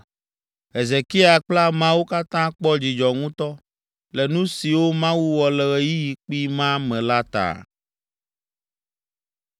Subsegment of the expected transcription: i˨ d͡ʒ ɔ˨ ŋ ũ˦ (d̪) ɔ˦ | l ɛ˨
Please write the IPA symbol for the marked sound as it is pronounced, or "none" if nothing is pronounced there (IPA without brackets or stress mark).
t̪